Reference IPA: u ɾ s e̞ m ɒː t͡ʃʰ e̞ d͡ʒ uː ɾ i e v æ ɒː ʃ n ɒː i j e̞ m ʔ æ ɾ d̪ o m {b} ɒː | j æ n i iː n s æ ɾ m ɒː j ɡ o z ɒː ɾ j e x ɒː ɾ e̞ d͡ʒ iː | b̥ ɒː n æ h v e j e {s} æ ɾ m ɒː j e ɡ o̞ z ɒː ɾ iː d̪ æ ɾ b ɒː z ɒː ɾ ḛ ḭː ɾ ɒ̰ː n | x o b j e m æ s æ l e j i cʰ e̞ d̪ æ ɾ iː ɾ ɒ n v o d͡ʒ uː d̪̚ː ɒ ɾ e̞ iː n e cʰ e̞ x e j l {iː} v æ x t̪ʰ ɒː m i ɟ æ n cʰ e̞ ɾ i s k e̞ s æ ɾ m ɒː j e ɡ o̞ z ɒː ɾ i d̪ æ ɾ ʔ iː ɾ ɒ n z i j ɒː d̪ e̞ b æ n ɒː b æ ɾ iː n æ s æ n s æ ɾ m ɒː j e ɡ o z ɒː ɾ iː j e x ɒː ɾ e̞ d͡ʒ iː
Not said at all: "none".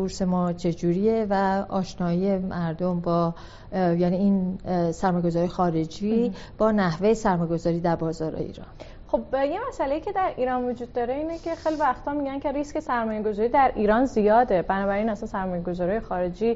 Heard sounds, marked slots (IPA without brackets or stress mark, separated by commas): b, s, i